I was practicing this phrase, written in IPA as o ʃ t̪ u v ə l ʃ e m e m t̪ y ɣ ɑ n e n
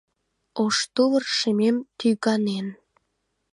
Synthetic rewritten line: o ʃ t̪ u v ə r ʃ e m e m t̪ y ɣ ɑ n e n